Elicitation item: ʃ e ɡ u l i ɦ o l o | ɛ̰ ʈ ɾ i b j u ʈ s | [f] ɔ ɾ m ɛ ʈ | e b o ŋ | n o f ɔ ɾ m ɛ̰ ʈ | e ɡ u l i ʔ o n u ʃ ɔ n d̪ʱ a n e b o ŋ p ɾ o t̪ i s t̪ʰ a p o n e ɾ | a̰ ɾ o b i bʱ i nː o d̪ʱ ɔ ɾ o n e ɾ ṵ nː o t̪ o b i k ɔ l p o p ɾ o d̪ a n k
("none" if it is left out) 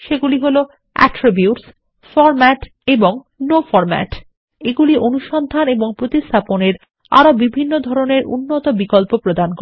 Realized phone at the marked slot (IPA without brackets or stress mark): f